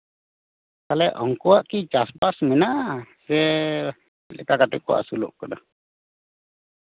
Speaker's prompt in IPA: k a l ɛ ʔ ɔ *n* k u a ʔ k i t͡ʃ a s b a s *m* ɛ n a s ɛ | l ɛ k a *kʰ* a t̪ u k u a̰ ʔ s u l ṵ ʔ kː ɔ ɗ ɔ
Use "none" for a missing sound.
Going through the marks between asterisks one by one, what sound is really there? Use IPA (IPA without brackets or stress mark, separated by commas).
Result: ŋ, m, k